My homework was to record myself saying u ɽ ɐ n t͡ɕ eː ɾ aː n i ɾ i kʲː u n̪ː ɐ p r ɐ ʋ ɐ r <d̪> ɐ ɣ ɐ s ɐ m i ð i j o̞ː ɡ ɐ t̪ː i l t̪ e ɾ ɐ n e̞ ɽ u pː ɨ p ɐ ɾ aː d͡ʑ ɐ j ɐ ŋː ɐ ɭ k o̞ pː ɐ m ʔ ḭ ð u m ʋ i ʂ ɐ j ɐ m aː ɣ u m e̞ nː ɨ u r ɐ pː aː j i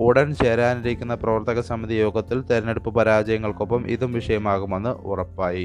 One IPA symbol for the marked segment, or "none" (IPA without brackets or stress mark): t̪